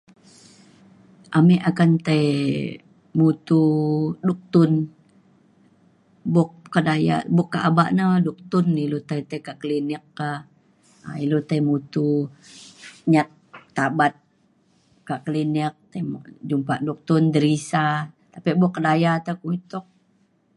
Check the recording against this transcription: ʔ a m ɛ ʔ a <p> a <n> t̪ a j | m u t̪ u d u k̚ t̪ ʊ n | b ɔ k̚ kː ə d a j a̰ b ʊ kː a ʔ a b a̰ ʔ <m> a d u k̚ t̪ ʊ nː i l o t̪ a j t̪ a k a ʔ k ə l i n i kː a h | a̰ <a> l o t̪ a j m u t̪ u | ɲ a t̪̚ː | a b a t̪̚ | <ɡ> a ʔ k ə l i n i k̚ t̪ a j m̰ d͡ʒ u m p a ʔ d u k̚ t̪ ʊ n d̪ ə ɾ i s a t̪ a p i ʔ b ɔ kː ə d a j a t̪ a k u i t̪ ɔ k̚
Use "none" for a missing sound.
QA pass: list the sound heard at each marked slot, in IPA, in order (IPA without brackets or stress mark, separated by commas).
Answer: k, n, n, i, k